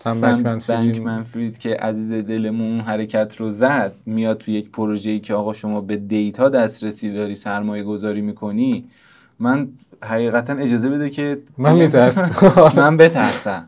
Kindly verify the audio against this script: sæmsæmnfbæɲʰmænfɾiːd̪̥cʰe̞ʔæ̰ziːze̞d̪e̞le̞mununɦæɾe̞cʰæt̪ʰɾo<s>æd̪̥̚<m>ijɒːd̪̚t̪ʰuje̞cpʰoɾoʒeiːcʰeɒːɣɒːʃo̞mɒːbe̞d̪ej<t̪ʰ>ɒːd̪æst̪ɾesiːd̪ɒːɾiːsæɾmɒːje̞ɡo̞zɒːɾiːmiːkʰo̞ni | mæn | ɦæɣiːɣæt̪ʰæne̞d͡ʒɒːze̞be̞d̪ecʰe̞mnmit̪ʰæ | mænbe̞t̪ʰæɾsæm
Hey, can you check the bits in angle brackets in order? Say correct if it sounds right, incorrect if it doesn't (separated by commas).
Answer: incorrect, correct, correct